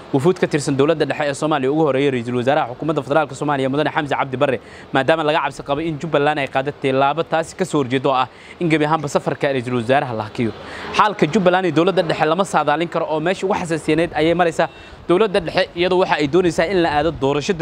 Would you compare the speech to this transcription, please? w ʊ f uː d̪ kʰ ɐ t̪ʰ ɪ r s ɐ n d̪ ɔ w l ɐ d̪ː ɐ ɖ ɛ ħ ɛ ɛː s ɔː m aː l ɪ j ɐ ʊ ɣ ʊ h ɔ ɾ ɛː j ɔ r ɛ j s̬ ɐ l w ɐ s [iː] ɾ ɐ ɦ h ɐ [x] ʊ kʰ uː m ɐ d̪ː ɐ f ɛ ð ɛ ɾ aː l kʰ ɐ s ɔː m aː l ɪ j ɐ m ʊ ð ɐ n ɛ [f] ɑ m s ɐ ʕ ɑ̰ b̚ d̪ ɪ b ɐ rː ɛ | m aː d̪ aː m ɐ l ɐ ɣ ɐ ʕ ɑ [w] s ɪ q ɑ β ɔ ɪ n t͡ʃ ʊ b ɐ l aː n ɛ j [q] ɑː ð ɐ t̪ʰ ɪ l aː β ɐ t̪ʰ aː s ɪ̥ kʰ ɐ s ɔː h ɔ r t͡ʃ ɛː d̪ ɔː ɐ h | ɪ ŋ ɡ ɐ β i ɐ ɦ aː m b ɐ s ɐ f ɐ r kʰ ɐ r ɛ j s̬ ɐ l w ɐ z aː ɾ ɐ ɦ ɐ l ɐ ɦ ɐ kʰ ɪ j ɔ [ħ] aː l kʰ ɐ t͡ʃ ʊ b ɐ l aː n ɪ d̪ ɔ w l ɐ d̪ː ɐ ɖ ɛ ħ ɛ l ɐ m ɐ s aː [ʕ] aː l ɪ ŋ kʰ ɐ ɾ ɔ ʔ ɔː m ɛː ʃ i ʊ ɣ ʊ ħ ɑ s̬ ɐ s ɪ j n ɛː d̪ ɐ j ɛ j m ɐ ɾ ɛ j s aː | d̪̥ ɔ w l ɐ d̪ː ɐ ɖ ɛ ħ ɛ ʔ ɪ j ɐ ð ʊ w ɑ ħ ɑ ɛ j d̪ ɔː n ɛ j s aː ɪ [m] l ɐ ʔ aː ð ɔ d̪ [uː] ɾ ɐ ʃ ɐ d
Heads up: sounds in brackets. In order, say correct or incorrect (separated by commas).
incorrect, incorrect, incorrect, incorrect, correct, correct, incorrect, incorrect, incorrect